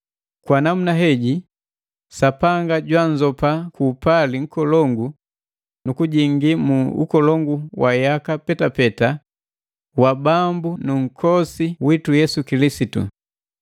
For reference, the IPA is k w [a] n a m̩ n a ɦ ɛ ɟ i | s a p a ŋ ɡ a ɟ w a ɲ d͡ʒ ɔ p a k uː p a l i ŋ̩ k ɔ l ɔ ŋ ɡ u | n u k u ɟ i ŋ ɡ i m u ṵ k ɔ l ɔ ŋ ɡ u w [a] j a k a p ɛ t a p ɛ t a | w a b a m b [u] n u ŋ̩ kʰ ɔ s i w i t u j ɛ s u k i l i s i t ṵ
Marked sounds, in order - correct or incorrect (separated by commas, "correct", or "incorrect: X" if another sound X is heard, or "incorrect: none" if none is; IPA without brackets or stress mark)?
correct, correct, correct